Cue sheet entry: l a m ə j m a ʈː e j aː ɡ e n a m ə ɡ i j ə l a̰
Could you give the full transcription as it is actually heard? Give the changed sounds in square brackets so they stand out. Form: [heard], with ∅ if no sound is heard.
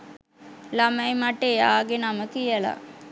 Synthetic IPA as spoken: l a m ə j m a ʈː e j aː ɡ e n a m ə [k] i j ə l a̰